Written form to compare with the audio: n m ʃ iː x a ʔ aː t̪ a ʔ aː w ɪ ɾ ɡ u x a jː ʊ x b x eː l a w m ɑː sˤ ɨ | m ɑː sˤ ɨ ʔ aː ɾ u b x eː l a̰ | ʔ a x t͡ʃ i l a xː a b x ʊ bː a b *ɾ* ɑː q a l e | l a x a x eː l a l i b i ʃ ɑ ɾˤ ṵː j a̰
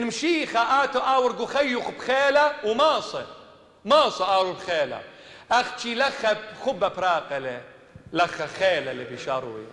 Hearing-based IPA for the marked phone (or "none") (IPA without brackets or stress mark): ɾ